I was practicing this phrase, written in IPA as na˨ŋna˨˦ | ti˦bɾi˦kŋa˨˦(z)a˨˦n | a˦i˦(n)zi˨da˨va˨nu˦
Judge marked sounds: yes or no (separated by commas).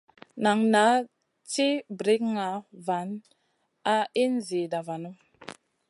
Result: no, yes